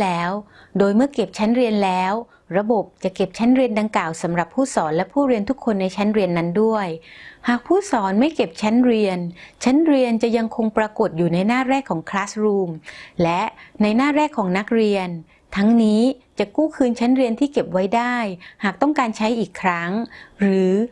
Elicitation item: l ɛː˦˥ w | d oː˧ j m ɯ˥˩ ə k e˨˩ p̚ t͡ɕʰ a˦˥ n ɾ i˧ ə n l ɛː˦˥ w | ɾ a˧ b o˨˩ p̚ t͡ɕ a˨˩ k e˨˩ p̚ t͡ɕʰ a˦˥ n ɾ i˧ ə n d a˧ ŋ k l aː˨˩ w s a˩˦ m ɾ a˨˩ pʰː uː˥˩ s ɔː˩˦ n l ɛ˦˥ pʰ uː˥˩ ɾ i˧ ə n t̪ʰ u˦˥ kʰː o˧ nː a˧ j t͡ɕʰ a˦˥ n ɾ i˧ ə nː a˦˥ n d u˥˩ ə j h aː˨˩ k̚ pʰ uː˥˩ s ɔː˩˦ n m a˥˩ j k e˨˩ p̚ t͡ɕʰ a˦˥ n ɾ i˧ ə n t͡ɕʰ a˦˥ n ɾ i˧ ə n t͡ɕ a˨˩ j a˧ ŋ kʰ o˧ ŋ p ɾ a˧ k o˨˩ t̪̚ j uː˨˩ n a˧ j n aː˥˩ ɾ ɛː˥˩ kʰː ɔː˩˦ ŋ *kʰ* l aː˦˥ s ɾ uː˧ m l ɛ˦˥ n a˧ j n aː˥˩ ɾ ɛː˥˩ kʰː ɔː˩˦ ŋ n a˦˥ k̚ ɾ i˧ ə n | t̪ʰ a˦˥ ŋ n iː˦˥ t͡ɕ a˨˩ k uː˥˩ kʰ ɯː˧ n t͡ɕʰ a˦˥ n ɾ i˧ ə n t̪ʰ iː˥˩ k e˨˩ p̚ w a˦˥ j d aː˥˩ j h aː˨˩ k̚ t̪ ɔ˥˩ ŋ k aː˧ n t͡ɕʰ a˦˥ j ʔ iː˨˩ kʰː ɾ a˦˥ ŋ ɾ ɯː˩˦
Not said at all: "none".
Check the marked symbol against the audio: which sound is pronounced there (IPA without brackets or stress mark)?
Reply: kʰ